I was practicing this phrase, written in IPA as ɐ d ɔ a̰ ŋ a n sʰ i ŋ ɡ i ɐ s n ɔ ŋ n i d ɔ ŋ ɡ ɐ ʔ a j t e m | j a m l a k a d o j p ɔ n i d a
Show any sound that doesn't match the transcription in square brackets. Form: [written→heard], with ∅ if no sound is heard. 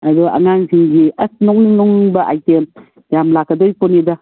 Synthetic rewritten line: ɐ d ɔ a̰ ŋ a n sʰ i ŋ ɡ i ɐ s n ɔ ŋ n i [d→n] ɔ ŋ [ɡ→b] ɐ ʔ a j t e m | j a m l a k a d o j p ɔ n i d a

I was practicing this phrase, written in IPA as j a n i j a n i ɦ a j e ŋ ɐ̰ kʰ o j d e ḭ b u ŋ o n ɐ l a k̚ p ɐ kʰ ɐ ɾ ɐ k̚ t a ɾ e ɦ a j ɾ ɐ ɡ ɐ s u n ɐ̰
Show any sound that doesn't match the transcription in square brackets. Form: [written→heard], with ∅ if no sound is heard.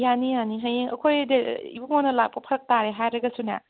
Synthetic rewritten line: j a n i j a n i ɦ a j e ŋ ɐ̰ kʰ o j d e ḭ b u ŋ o n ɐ l a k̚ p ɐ [kʰ→pʰ] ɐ ɾ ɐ k̚ t a ɾ e ɦ a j ɾ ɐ ɡ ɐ s u n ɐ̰

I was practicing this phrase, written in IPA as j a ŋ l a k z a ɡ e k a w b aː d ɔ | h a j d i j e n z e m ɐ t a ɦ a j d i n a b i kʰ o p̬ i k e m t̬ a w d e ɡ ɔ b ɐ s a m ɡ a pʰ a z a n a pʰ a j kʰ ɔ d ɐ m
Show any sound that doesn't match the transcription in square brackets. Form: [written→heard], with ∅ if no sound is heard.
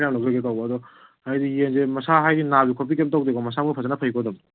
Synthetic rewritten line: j a [ŋ→m] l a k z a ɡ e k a w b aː d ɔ | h a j d i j e n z e m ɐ [t→s] a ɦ a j d i n a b i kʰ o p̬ i k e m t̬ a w d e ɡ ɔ [b→m] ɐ s a m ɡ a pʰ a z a n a pʰ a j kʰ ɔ d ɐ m

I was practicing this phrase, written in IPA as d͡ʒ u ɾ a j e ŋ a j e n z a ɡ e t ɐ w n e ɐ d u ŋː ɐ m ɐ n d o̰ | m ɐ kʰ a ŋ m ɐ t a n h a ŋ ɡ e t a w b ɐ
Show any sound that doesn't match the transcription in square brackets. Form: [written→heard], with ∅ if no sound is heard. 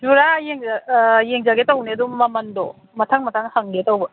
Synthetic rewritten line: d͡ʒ u ɾ a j e ŋ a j e [n→ŋ] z a ɡ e t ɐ w n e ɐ d u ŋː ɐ m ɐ n d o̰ | m ɐ [kʰ→tʰ] a ŋ m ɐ [t→tʰ] a [n→ŋ] h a ŋ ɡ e t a w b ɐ

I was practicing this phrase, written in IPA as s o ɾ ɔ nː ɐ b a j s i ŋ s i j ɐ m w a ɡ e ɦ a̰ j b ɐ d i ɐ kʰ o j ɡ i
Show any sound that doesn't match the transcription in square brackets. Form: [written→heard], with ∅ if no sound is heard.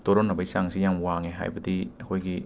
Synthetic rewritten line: [s→t] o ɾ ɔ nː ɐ b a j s [i→a] ŋ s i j [ɐ→a] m w a [ɡ→ŋ] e ɦ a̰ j b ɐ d i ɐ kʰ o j ɡ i

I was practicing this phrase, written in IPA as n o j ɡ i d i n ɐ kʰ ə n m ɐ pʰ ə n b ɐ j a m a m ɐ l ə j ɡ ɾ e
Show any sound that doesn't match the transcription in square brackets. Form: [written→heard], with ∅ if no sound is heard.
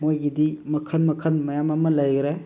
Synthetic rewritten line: [n→m] o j ɡ i d i [n→m] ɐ kʰ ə n m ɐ [pʰ→kʰ] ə n [b→m] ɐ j a m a m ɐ l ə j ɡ ɾ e

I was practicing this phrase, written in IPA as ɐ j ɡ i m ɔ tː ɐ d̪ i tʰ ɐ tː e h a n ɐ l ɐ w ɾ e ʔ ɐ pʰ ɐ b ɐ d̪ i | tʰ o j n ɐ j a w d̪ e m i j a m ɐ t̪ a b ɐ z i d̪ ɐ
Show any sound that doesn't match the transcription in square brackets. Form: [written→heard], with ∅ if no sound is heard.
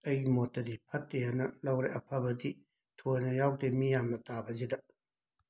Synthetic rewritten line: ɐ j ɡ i m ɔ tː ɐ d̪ i [tʰ→pʰ] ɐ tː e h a n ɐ l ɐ w ɾ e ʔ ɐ pʰ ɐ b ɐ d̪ i | tʰ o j n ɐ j a w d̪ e m i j a m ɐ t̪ a b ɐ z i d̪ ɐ

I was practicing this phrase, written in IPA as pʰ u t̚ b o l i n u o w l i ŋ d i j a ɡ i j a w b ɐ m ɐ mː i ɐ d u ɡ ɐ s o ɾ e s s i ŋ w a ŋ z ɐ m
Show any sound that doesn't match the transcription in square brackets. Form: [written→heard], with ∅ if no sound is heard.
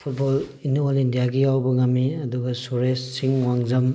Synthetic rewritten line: pʰ u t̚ b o l i n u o [w→∅] l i [ŋ→n] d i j a ɡ i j a w b ɐ [m→ŋ] ɐ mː i ɐ d u ɡ ɐ s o ɾ e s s i ŋ w a ŋ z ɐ m

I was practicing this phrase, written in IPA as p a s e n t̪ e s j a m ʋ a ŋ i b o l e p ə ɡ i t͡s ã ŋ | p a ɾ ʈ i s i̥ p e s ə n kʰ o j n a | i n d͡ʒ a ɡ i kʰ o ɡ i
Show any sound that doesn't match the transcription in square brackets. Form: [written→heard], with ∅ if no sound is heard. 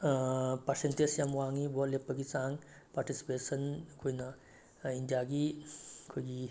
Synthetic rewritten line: p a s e n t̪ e s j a m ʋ a ŋ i b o l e p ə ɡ i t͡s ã ŋ | p a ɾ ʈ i s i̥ p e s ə n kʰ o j n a | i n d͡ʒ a ɡ i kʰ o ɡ i

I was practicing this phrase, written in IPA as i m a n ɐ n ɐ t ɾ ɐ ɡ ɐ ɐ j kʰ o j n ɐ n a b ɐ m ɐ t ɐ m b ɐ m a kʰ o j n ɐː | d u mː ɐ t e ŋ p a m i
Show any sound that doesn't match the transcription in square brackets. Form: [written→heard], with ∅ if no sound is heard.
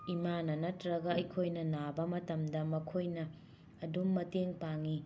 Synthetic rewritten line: i m a n ɐ n ɐ t ɾ ɐ ɡ ɐ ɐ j kʰ o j n ɐ n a b ɐ m ɐ t ɐ m [b→d] ɐ m [a→ɐ] kʰ o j n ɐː | d u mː ɐ t e ŋ p a [m→ŋ] i

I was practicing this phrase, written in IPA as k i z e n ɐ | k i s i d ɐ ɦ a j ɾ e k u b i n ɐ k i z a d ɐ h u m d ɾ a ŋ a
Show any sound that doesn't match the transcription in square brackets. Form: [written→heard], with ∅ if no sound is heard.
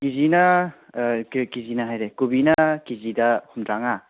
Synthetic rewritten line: k i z [e→i] n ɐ | k i [s→z] i [d→n] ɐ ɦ a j ɾ e k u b i n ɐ k i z [a→i] d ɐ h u m d ɾ a ŋ a

